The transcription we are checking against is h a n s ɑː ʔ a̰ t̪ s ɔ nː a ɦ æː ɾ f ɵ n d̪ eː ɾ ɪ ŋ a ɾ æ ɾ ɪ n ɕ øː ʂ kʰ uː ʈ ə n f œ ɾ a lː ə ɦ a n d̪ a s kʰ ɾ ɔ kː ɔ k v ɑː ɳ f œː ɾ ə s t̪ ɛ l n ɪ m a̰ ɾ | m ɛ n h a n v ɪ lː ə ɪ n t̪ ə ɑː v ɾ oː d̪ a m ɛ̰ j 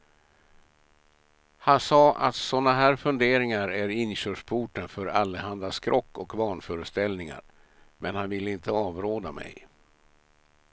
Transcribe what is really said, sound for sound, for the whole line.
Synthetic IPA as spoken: h a n s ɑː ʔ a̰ t̪ s ɔ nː a ɦ æː ɾ f ɵ n d̪ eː ɾ ɪ ŋ a ɾ æ ɾ ɪ n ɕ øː ʂ pʰ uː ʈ ə n f œ ɾ a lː ə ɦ a n d̪ a s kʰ ɾ ɔ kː ɔ k v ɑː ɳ f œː ɾ ə s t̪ ɛ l n ɪ ŋ a̰ ɾ | m ɛ n h a n v ɪ lː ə ɪ n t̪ ə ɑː v ɾ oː d̪ a m ɛ̰ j